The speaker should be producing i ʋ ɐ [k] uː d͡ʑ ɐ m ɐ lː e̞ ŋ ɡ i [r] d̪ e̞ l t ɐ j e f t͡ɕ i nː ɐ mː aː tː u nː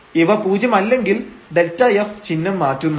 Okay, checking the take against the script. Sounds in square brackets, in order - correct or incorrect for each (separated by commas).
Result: incorrect, incorrect